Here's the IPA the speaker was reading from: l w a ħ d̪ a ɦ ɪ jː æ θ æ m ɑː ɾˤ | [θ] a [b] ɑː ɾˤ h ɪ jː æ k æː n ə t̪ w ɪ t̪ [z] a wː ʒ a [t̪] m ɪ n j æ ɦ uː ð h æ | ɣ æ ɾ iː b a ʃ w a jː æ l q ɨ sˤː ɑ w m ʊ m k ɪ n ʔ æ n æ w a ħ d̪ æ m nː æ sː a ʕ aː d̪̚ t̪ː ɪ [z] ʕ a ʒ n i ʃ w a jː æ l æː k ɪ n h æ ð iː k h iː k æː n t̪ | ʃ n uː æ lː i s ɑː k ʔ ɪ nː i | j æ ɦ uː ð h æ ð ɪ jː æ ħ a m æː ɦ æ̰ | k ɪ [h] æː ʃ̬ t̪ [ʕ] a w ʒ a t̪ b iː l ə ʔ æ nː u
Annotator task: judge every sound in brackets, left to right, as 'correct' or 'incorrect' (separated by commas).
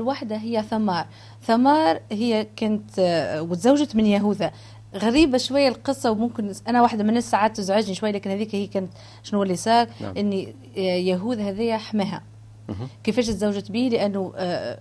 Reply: correct, incorrect, correct, correct, correct, incorrect, incorrect